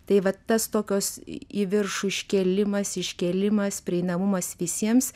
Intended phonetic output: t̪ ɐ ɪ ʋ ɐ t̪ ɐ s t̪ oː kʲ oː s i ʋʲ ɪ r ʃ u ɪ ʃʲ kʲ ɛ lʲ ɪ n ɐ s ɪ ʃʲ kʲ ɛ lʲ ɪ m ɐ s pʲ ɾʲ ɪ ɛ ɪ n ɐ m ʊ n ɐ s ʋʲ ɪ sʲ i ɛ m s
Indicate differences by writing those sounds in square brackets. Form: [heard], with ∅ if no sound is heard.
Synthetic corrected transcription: t̪ ɐ ɪ ʋ ɐ t̪ ɐ s t̪ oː kʲ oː s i ʋʲ ɪ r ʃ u ɪ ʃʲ kʲ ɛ lʲ ɪ [m] ɐ s ɪ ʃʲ kʲ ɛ lʲ ɪ m ɐ s pʲ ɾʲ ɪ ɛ ɪ n ɐ m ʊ [m] ɐ s ʋʲ ɪ sʲ i ɛ m s